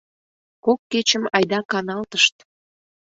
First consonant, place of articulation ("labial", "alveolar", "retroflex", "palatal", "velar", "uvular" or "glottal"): velar